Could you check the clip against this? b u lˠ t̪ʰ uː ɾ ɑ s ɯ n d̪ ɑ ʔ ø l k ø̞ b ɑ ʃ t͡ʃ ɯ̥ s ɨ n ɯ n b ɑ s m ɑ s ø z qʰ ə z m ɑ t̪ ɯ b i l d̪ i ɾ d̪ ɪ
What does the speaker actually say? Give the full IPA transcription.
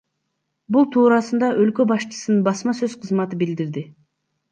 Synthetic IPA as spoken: b u lˠ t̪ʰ uː ɾ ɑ s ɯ n d̪ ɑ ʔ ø l k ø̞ b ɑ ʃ t͡ʃ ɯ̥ s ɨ n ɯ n b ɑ s m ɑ s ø z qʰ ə z m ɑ t̪ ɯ b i l d̪ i ɾ d̪ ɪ